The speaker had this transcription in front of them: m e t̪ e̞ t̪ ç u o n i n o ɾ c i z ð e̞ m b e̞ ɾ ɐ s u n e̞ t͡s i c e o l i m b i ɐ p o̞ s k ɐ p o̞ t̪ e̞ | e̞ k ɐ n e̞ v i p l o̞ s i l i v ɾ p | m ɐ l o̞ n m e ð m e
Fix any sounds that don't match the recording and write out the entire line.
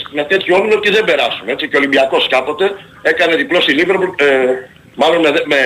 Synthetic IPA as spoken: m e t̪ e̞ t̪ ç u o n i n o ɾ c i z ð e̞ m b e̞ ɾ ɐ s u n e̞ t͡s i c e o l i m b i ɐ k o̞ s k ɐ p o̞ t̪ e̞ | e̞ k ɐ n e̞ ð i p l o̞ s i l i v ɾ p | m ɐ l o̞ n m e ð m e